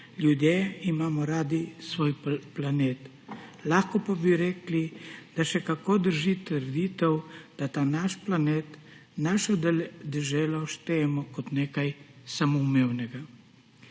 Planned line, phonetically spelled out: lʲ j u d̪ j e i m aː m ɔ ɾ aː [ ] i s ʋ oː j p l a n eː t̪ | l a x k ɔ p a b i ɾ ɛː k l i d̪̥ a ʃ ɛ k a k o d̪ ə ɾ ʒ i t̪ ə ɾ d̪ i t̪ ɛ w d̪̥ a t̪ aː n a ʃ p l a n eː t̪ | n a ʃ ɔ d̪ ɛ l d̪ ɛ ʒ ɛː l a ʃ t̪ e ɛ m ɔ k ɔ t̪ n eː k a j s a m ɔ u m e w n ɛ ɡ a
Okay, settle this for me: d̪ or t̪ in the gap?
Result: d̪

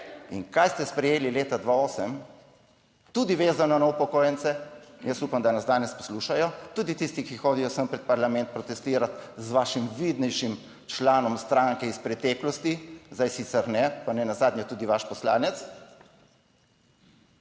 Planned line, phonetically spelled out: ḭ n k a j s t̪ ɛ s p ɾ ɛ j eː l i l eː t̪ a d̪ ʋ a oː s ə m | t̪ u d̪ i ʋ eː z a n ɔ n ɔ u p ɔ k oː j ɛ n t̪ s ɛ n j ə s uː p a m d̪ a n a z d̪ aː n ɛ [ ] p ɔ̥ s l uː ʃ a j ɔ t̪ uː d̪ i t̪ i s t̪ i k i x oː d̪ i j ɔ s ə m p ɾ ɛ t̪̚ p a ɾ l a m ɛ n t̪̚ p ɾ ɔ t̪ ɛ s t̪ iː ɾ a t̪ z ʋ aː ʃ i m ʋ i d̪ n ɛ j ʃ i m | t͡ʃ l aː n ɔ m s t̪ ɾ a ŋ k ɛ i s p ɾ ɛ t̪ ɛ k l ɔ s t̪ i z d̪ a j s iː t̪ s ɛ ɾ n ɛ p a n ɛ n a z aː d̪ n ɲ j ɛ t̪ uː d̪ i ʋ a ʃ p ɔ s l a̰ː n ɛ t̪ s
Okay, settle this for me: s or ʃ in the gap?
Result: s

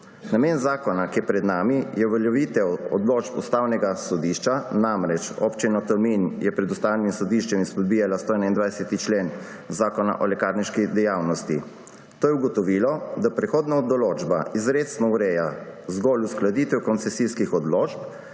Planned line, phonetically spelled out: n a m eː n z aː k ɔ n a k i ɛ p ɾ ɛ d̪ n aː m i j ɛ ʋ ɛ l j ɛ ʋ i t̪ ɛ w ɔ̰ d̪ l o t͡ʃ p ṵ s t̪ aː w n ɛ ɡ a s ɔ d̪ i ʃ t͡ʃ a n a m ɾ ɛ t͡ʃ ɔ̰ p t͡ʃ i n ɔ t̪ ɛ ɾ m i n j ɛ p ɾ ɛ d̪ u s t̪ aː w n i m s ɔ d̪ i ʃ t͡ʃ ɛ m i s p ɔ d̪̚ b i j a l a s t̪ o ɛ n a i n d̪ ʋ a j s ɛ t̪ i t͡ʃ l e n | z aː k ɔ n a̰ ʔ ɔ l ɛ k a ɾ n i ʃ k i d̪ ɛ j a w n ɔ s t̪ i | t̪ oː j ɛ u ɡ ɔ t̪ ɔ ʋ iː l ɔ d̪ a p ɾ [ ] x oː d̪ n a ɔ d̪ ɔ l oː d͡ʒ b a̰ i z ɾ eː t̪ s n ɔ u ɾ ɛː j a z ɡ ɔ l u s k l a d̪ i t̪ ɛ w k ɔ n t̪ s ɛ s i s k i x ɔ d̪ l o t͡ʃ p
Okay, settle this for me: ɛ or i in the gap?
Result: ɛ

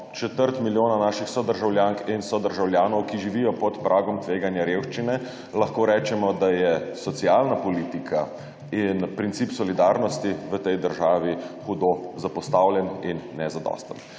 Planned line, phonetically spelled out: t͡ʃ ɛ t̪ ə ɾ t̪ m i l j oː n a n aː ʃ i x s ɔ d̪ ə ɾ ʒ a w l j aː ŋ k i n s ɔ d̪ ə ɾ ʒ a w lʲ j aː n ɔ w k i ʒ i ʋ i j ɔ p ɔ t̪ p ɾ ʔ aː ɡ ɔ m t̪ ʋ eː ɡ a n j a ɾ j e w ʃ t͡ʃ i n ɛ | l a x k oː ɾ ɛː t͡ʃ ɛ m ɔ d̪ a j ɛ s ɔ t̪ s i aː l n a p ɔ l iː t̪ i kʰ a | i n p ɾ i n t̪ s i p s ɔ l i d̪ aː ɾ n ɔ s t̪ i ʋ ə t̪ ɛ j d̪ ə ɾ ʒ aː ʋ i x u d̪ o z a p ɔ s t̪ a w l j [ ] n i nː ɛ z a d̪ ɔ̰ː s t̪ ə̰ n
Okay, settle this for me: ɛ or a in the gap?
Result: ɛ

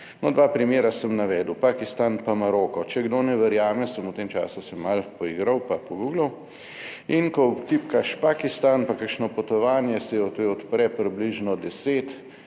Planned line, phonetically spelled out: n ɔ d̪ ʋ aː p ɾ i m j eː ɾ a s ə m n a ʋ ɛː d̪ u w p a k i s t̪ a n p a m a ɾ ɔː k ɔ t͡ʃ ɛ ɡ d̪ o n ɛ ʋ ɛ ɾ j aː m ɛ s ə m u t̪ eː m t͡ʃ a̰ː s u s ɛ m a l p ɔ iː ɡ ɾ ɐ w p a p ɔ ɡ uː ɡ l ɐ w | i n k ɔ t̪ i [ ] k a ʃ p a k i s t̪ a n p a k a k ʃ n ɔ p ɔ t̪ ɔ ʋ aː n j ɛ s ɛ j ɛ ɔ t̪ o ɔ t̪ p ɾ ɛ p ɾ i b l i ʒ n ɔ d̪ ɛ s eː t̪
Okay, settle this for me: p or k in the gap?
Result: p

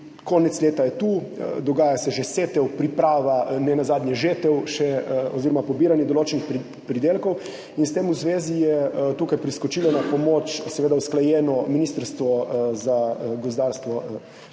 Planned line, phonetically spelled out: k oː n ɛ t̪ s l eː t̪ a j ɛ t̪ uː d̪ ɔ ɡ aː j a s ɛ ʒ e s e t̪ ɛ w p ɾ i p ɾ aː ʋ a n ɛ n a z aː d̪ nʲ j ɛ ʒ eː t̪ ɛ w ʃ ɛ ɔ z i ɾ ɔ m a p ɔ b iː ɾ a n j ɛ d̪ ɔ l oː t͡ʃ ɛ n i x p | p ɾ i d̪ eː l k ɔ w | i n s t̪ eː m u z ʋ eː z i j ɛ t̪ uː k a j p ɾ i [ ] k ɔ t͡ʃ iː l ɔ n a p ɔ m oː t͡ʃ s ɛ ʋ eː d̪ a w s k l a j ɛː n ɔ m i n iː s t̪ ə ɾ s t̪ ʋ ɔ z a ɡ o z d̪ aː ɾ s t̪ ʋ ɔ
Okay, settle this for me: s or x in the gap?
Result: s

